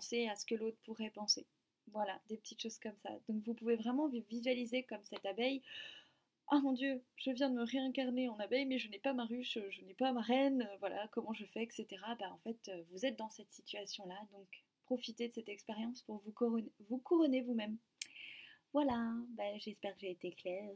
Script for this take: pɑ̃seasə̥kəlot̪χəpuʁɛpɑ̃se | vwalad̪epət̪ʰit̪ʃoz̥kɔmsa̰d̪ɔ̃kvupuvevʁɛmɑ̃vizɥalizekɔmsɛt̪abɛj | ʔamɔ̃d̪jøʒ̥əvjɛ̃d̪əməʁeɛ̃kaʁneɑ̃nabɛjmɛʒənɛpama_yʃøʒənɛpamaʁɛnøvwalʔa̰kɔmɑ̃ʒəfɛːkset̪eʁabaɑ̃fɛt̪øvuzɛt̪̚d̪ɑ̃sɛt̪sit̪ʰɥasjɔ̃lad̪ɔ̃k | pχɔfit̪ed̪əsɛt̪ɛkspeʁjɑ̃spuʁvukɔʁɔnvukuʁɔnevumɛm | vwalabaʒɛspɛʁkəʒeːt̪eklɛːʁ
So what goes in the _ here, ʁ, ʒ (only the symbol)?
ʁ